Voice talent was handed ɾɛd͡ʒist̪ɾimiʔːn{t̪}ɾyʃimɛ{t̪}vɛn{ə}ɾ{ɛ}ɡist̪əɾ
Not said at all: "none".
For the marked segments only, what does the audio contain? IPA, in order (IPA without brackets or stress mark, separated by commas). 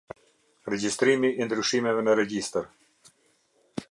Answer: d̪, none, ə, ɛ